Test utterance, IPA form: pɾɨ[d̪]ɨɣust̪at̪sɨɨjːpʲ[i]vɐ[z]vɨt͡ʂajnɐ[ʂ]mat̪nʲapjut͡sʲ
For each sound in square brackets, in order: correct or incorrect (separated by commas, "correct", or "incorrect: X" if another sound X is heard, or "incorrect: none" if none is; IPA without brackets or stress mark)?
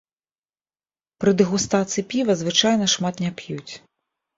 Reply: correct, correct, correct, correct